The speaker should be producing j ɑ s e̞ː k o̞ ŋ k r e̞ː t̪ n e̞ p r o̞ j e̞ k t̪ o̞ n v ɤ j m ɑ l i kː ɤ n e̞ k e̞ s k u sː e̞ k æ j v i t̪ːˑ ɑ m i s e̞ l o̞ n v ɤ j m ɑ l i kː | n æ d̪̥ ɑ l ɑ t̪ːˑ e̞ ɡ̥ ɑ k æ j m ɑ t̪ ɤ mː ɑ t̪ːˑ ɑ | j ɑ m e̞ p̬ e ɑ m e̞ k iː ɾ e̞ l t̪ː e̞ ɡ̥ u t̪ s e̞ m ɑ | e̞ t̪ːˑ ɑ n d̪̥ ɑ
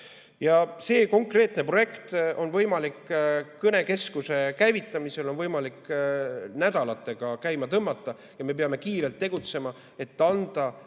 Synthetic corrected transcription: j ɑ s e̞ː k o̞ ŋ k r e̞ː t̪ n e̞ p r o̞ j e̞ k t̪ o̞ n v ɤ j m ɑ l i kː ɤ n e̞ k e̞ s k u s e̞ k æ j v i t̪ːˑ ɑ m i s e̞ l o̞ n v ɤ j m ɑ l i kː | n æ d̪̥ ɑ l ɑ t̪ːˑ e̞ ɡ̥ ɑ k æ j m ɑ t̪ ɤ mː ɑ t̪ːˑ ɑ | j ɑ m e̞ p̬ e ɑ m e̞ k iː ɾ e̞ l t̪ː e̞ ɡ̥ u t̪ s e̞ m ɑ | e̞ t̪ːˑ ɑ n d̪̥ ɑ